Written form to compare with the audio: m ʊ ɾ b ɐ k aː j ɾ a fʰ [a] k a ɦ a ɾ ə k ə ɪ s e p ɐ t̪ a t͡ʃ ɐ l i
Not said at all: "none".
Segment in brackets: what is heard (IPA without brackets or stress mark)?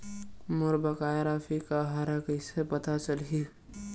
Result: i